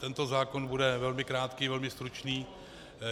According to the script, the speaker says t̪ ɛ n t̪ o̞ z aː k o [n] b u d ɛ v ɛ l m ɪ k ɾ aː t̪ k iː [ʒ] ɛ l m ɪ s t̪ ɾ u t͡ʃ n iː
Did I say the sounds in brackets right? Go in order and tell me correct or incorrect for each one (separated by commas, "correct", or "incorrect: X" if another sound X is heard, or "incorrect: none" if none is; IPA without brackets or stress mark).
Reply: correct, incorrect: v